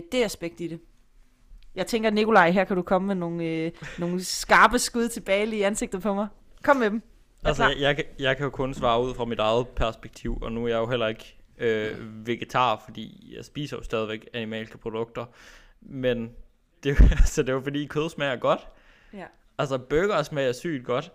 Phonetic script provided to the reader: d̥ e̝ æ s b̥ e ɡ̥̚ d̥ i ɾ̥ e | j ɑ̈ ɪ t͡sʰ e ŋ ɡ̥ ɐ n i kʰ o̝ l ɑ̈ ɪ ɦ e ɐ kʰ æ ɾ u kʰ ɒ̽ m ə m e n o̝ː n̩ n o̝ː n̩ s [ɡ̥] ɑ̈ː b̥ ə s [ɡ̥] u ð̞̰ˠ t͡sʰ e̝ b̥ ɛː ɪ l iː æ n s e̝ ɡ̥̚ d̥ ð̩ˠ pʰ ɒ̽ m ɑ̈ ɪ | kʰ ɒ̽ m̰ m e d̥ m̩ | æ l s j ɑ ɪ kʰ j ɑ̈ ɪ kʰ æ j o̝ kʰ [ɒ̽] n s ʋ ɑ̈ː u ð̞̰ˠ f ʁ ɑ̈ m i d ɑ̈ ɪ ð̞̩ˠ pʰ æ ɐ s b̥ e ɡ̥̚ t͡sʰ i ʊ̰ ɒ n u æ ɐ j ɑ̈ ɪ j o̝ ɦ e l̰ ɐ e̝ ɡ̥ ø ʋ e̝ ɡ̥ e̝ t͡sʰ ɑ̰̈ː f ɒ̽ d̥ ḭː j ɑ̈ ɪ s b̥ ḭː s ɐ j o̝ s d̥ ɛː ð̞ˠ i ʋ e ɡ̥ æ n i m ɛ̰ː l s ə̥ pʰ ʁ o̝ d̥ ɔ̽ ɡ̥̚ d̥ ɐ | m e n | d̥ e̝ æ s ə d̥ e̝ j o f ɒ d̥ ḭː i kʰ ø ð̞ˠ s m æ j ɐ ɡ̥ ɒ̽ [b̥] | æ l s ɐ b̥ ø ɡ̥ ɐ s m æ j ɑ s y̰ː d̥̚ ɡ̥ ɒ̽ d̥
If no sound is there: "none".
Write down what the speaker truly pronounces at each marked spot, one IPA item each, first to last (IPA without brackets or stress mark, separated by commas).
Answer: ɡ̥, ɡ̥, ɔ̽, d̥